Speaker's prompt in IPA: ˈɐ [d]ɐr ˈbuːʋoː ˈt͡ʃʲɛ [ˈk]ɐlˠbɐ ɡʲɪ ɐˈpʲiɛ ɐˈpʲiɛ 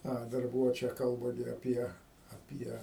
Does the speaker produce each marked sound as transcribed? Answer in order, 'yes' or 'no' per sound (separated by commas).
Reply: yes, yes